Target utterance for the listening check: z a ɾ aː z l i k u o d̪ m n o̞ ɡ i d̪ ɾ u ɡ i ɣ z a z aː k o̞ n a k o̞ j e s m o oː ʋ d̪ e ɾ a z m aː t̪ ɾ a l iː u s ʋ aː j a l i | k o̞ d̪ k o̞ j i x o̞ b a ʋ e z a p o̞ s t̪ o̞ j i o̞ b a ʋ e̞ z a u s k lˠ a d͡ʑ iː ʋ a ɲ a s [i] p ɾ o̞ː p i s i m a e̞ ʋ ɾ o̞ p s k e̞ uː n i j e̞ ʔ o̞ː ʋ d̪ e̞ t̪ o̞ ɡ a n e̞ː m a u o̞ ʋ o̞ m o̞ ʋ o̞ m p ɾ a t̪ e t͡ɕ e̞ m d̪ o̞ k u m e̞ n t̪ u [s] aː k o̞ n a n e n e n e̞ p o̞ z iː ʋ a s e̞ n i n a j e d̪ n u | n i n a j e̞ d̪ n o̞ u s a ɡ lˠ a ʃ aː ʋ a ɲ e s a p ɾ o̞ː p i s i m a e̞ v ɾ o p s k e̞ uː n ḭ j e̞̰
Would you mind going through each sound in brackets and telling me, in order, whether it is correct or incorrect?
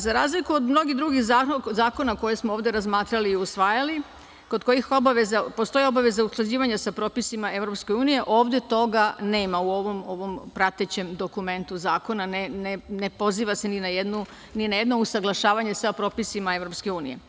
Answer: incorrect: a, incorrect: z

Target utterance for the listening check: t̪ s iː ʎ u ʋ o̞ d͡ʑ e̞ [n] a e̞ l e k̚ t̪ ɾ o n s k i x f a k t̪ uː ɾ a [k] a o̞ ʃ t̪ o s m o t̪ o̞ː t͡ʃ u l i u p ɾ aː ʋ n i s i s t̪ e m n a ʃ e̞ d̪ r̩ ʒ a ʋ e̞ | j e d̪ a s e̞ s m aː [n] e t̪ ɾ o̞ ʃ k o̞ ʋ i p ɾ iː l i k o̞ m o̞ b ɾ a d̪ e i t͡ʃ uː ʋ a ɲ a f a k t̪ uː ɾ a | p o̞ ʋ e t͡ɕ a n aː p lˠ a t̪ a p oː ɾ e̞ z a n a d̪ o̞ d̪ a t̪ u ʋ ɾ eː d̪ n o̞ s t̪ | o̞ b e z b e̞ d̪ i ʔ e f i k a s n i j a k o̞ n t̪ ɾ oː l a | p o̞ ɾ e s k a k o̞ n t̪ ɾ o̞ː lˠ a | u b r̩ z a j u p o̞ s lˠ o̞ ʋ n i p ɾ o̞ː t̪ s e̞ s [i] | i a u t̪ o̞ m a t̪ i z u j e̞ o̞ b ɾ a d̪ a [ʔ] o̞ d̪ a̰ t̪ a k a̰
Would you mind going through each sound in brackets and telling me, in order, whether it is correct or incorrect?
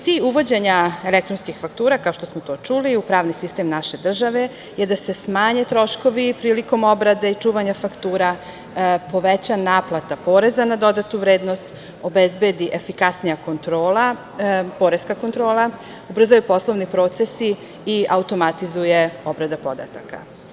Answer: incorrect: ɲ, correct, incorrect: ɲ, correct, incorrect: p

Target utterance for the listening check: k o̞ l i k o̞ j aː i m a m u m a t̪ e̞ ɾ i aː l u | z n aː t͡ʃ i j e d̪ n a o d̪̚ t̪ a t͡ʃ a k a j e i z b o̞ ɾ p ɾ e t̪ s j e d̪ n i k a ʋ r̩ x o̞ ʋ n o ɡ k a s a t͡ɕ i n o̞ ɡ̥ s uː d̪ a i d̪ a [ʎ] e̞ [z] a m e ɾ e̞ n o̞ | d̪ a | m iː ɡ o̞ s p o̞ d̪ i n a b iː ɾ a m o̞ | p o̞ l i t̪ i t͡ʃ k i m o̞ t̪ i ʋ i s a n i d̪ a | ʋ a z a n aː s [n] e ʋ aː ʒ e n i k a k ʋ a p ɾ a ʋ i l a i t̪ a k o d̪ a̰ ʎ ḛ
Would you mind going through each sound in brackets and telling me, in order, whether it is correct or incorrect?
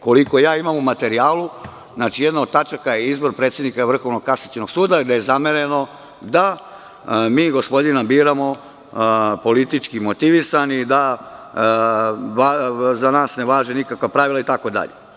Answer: incorrect: j, correct, correct

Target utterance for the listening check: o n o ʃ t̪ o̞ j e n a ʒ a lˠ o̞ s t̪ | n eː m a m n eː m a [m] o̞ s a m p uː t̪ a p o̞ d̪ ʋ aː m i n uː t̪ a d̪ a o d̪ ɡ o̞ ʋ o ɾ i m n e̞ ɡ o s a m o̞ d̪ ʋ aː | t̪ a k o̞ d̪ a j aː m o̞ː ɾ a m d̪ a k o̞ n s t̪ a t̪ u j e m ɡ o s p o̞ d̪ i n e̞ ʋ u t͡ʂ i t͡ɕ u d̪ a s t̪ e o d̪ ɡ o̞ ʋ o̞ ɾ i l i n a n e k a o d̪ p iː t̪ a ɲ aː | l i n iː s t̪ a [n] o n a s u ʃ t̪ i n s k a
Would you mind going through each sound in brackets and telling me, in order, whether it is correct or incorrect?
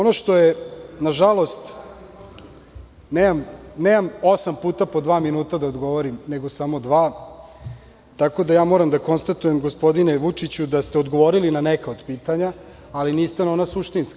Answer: correct, correct

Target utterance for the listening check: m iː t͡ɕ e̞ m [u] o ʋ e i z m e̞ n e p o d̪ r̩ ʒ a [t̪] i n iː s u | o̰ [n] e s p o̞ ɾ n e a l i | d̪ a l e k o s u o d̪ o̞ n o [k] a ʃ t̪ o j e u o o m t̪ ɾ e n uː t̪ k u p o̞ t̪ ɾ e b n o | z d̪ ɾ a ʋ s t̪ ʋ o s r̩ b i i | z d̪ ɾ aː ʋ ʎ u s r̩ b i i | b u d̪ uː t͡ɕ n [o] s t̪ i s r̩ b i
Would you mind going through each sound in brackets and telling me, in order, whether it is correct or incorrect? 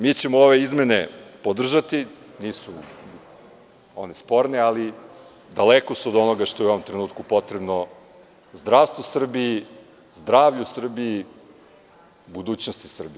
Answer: incorrect: o, correct, correct, incorrect: ɡ, correct

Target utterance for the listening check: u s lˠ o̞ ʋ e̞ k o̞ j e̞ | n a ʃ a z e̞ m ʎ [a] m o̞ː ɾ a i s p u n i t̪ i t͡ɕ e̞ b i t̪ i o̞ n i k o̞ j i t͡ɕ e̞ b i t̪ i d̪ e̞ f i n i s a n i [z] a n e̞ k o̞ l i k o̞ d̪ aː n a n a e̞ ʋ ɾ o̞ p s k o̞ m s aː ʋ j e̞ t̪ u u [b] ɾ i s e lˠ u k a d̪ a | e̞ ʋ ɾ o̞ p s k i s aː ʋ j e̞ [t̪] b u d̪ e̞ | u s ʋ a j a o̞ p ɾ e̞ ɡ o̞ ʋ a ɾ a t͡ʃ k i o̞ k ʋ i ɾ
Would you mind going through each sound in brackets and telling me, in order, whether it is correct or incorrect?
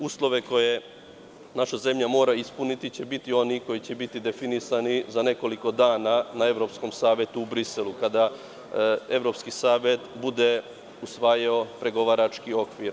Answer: correct, correct, correct, correct

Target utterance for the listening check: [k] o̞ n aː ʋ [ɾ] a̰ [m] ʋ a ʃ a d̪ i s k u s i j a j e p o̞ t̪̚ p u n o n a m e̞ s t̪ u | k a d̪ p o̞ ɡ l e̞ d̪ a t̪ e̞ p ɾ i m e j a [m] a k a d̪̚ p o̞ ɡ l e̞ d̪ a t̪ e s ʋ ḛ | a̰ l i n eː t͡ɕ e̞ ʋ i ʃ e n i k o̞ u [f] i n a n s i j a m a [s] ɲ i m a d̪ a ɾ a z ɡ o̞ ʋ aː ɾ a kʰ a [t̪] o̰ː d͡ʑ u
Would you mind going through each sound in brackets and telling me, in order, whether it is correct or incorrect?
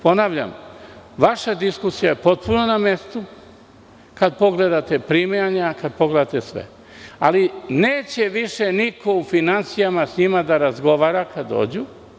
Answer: incorrect: p, incorrect: ʎ, correct, incorrect: ɲ, correct, correct, incorrect: d̪

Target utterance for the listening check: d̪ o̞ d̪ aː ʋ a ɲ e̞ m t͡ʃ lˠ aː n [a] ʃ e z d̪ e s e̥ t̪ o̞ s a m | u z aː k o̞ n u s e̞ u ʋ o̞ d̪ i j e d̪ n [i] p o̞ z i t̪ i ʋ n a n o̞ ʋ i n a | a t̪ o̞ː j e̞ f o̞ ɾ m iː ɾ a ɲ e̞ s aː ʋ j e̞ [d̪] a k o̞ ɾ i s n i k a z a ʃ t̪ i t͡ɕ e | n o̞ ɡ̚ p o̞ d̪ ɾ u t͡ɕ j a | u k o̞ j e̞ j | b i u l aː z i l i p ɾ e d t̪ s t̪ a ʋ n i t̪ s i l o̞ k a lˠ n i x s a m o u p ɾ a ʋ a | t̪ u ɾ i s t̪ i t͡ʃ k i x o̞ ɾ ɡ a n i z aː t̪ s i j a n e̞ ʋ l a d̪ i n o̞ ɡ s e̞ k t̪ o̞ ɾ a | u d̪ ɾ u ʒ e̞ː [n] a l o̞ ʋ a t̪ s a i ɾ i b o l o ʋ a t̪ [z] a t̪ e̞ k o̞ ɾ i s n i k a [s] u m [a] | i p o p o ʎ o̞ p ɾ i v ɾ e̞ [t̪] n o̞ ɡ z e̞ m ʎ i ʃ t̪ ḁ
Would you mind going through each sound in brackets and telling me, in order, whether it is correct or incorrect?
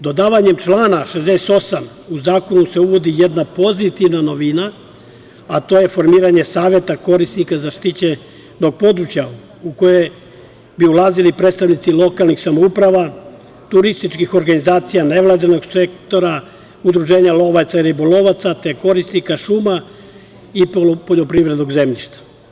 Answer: correct, incorrect: a, incorrect: t̪, incorrect: ɲ, incorrect: s, incorrect: ʃ, correct, incorrect: d̪

